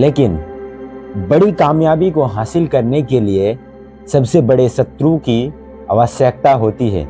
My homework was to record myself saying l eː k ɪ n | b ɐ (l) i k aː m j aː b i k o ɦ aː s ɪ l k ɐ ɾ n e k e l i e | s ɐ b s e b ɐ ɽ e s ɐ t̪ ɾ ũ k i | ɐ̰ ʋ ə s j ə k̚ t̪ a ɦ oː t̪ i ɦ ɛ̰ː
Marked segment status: incorrect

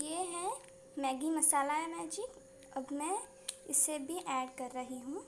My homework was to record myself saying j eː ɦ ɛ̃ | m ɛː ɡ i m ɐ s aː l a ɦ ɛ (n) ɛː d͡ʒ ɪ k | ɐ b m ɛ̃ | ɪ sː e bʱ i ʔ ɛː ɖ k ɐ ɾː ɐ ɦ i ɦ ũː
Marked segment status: incorrect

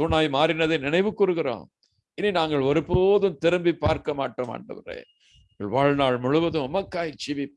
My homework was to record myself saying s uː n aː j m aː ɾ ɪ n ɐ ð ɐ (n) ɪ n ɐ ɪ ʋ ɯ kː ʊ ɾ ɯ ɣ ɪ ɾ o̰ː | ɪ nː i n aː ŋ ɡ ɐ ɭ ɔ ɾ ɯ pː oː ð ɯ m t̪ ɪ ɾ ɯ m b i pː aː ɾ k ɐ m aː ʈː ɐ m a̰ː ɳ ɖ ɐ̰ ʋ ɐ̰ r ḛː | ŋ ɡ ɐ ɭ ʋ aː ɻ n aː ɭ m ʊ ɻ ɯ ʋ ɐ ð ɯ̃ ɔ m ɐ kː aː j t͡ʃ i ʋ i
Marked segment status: correct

